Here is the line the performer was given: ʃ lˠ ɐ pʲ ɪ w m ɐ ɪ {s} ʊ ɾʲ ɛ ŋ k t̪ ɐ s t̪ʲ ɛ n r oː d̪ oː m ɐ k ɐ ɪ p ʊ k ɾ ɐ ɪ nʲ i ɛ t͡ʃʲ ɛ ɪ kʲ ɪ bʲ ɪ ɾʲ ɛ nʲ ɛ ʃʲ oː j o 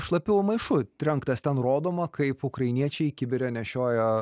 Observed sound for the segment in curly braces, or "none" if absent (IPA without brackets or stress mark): ʃ